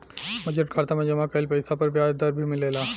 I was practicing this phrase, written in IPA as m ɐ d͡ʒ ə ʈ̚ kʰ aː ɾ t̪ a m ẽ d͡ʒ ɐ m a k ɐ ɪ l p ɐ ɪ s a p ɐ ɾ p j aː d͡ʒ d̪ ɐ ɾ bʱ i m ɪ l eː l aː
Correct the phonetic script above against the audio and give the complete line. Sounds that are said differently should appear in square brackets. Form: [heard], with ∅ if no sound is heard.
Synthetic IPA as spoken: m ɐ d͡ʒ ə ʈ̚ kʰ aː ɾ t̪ a m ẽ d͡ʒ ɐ m a k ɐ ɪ l p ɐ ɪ s a p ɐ ɾ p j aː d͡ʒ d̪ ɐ ɾ bʱ i m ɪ l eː l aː